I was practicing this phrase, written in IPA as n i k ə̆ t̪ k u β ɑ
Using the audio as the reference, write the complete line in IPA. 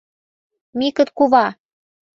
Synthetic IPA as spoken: m i k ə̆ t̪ k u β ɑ

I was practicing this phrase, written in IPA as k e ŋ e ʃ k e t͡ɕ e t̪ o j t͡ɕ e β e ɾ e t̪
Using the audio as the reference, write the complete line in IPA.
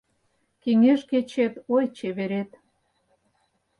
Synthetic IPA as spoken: k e ŋ e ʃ k e t͡ɕ e t̪ o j t͡ɕ e β e ɾ e t̪

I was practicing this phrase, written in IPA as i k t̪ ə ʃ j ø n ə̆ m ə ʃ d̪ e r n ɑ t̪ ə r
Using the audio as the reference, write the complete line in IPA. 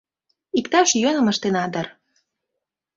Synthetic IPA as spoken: i k t̪ ɑ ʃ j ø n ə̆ m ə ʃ t̪ e n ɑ d̪ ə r

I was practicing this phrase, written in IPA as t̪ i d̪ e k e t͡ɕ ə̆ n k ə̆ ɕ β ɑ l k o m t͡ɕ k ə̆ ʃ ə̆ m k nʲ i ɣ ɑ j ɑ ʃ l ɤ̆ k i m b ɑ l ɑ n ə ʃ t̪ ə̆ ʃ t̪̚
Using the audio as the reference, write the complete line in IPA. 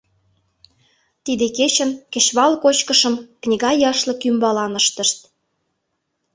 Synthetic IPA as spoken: t̪ i d̪ e k e t͡ɕ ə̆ n k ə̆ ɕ β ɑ l k o t͡ɕ k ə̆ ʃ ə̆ m k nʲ i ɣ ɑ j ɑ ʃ l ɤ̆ k y m b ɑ l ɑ n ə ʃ t̪ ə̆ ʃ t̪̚

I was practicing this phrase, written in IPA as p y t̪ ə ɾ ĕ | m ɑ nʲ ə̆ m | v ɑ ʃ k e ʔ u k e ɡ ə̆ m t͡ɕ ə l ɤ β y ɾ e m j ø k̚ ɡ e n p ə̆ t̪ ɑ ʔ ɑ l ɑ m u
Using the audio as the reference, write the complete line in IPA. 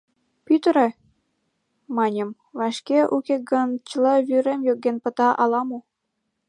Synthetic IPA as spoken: p y t̪ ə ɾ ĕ | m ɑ nʲ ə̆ m | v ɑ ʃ k e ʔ u k e ɡ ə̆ n t͡ɕ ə l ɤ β y ɾ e m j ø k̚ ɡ e n p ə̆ t̪ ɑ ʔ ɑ l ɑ m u

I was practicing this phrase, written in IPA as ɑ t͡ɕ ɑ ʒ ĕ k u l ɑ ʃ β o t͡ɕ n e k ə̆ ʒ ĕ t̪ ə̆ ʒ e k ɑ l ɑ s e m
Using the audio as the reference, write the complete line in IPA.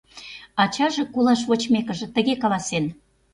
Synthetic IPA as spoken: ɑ t͡ɕ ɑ ʒ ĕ k u l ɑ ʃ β o t͡ɕ m e k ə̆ ʒ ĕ t̪ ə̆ ɣ e k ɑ l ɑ s e n

